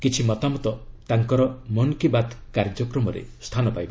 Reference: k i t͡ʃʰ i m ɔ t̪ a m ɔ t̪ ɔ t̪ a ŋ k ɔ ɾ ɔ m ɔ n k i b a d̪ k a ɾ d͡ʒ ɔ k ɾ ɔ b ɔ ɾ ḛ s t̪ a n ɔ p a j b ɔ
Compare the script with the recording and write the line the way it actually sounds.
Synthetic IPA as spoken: k i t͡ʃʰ i m ɔ t̪ a m ɔ t̪ ɔ t̪ a ŋ k ɔ ɾ ɔ m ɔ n k i b a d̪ k a ɾ d͡ʒ ɔ k ɾ ɔ m ɔ ɾ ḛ s t̪ʰ a n ɔ p a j b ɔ